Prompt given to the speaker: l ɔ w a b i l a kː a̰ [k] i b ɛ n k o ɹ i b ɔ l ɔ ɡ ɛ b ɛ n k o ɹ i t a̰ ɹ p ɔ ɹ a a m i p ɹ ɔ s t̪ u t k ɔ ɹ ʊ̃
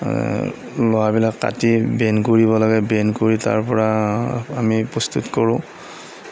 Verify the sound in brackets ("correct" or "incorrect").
incorrect